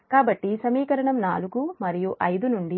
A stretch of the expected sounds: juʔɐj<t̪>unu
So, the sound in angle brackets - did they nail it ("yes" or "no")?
no